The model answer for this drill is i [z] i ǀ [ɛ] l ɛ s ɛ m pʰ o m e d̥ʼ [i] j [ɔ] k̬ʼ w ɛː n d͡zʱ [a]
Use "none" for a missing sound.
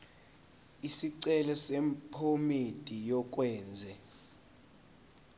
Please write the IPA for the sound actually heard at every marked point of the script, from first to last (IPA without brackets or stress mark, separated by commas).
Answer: s, ɛ, i, ɔ, ɛ